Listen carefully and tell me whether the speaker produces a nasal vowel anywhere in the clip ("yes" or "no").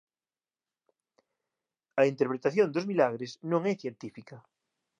yes